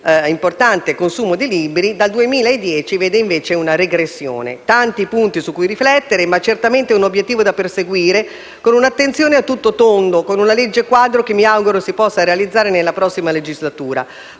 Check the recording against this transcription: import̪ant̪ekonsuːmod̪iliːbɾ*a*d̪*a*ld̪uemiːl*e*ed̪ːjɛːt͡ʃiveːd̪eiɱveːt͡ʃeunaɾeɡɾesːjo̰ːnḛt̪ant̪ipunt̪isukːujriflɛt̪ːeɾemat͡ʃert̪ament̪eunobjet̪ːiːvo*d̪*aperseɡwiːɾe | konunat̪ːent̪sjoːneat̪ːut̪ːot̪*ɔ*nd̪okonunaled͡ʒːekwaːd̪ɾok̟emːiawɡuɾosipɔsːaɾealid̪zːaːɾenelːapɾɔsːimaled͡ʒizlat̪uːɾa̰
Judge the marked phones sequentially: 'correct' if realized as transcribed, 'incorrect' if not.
incorrect, correct, incorrect, correct, incorrect

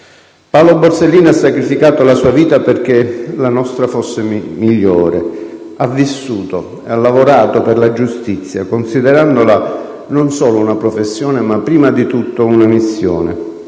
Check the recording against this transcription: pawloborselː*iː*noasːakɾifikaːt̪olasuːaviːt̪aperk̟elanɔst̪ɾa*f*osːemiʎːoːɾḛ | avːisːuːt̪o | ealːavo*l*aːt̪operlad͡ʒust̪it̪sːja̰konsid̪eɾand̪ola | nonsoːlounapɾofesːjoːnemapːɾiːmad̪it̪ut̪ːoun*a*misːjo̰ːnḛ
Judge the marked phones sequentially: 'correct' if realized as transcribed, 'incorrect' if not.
correct, correct, incorrect, correct

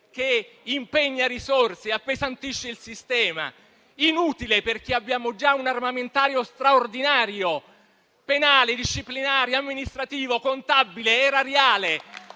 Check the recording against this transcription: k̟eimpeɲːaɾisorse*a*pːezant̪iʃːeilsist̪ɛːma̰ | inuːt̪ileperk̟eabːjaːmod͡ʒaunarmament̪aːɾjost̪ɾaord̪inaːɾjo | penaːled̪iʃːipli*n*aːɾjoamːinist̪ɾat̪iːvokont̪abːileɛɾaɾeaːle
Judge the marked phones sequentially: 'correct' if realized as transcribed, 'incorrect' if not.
correct, correct

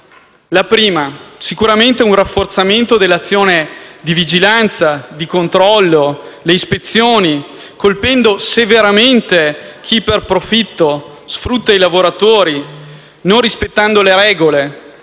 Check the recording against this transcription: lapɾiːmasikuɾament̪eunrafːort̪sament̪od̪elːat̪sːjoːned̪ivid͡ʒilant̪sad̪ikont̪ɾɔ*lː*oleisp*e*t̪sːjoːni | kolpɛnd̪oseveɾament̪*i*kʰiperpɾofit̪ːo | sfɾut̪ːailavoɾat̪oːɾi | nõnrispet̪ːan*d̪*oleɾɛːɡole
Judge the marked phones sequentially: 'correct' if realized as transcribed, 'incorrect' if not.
correct, correct, incorrect, correct

